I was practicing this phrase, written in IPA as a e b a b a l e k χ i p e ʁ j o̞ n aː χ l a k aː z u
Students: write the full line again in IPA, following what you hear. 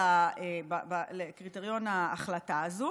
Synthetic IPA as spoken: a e b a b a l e k ʁ i t e ʁ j o̞ n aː χ l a t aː z u